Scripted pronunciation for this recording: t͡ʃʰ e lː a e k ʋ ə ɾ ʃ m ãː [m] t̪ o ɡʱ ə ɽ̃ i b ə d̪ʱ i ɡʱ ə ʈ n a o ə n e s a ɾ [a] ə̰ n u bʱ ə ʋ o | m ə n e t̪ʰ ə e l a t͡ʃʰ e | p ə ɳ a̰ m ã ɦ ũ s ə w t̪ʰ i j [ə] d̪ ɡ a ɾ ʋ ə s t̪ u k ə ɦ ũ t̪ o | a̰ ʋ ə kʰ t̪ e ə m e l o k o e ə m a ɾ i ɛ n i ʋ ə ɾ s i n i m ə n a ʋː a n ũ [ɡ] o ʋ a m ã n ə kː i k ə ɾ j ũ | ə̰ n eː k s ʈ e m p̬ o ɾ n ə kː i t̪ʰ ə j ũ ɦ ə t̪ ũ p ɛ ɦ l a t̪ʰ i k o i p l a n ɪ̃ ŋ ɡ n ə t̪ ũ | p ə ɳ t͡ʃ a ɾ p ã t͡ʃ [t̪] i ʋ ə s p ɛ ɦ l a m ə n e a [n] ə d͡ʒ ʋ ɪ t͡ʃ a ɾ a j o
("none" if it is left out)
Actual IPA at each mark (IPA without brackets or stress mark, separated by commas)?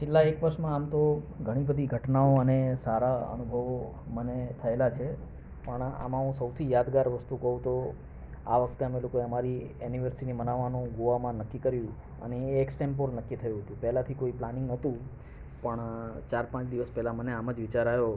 m, a, a, ɡ, d̪, m